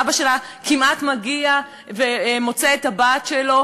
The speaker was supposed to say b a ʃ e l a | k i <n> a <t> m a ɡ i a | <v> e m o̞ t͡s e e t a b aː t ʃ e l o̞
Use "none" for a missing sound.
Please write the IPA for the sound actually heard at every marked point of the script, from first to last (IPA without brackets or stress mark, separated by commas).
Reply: m, t, v